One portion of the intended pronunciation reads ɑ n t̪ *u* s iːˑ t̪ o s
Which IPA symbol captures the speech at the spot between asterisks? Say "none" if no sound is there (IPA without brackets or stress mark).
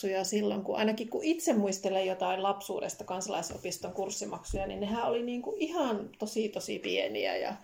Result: o